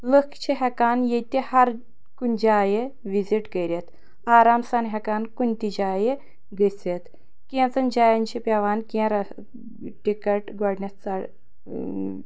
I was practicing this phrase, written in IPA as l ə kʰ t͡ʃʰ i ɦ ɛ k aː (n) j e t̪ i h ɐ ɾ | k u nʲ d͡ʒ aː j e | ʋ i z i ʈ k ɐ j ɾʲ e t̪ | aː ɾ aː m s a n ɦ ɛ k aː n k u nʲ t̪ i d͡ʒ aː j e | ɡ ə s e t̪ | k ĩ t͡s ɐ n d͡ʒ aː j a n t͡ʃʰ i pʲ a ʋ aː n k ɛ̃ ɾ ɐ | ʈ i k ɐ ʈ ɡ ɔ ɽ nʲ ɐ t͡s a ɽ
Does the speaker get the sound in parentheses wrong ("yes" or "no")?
no